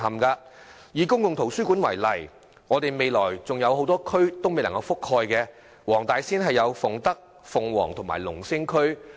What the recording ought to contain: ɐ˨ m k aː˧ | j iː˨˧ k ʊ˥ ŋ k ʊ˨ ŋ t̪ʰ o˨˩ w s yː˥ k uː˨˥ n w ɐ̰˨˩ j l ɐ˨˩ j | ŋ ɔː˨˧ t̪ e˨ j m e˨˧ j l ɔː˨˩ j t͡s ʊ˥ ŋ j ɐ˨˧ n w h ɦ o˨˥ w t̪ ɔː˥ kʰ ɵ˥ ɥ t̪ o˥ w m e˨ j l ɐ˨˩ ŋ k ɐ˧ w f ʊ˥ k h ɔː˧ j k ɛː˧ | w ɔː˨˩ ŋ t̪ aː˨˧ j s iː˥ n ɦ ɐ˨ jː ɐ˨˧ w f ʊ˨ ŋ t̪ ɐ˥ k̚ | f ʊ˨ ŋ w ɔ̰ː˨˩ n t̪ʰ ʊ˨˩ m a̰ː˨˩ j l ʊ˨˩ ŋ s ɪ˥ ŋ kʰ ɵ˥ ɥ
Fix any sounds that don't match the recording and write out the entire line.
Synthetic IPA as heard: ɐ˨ m k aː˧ | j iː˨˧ k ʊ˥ ŋ k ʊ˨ ŋ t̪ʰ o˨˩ w s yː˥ k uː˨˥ n w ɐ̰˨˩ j l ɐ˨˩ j | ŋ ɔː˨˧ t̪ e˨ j m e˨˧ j l ɔː˨˩ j t͡s ʊ˨ ŋ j ɐ˨˧ w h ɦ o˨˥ w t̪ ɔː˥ kʰ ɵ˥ ɥ t̪ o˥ w m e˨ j l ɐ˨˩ ŋ k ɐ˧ w f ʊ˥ k h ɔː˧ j k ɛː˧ | w ɔː˨˩ ŋ t̪ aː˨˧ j s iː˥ n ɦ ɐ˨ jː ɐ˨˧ w f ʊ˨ ŋ t̪ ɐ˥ k̚ | f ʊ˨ ŋ w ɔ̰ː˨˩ ŋ t̪ʰ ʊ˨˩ m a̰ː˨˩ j l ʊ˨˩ ŋ s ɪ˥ ŋ kʰ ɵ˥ ɥ